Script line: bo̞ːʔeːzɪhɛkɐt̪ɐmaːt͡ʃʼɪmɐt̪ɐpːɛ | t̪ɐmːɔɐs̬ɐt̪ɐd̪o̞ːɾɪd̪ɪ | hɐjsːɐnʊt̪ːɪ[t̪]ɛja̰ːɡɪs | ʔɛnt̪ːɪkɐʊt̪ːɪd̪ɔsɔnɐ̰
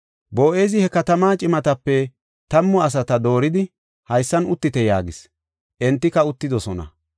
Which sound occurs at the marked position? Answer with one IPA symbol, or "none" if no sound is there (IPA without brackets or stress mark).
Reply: t̪